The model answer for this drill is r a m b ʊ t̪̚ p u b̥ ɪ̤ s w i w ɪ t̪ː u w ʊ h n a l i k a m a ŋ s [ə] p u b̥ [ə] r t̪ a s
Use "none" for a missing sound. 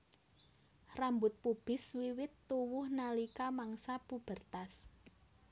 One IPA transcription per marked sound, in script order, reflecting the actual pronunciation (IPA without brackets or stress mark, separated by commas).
a, ə